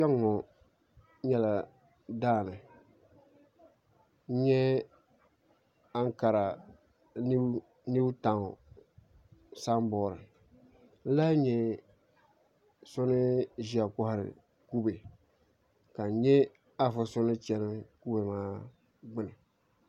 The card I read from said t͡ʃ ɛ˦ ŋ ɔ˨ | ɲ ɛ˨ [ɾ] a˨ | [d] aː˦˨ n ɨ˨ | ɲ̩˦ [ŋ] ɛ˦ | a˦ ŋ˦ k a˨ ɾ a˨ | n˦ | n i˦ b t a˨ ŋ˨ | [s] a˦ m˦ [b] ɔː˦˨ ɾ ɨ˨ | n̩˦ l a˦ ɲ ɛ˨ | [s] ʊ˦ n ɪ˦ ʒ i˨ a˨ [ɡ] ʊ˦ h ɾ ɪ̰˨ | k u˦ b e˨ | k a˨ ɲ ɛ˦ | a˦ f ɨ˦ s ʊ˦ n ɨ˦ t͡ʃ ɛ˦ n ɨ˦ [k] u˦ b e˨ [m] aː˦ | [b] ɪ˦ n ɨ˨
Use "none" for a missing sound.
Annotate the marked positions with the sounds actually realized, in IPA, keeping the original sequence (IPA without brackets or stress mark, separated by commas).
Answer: l, d, ɲ, s, b, s, k, k, m, ɡ͡b